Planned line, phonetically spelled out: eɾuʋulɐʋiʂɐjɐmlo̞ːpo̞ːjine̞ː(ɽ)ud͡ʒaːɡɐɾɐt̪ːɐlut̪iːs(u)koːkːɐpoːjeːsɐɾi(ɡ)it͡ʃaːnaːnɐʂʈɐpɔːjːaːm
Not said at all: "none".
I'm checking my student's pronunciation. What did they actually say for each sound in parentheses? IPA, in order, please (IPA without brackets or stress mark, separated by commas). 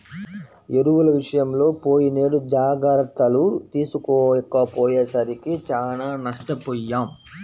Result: ɽ, u, k